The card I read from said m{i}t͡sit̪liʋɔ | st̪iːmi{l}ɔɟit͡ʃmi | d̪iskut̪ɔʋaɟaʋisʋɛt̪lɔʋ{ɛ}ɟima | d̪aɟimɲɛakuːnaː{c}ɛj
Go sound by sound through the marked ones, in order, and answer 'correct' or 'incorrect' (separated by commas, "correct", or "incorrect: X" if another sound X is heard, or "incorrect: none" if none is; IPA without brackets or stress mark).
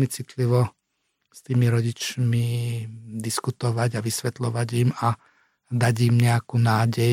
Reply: correct, incorrect: ɾ, incorrect: a, incorrect: ɟ